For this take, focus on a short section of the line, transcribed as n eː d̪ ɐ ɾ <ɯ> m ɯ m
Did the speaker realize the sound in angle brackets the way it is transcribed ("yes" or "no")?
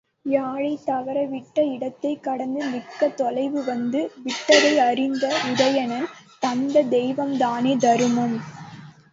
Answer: yes